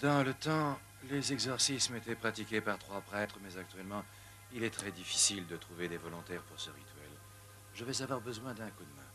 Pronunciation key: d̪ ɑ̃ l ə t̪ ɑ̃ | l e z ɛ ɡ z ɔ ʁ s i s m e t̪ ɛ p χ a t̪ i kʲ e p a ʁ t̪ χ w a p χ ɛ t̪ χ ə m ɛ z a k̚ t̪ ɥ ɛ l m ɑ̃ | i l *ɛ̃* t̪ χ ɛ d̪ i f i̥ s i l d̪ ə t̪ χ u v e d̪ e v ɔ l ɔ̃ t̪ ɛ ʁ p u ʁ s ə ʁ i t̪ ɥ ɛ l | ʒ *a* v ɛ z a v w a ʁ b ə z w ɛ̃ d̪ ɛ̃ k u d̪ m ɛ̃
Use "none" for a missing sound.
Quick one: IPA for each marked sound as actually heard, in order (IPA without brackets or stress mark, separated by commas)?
ɛ, ə